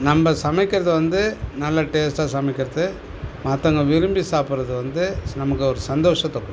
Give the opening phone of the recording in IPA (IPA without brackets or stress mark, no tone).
n